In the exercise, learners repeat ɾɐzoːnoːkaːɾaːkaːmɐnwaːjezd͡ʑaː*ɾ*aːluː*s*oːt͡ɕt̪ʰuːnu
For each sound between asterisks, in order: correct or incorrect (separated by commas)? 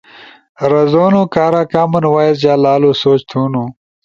incorrect, correct